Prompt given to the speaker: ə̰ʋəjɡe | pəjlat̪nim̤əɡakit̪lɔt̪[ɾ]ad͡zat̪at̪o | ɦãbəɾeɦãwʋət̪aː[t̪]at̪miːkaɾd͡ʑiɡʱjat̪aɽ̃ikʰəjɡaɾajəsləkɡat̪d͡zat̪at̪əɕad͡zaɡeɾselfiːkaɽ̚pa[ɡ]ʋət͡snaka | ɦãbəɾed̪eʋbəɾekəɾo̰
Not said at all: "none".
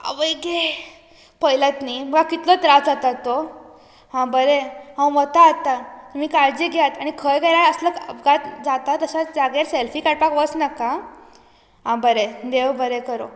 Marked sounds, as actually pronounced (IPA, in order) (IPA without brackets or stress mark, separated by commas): ɾ, t̪, k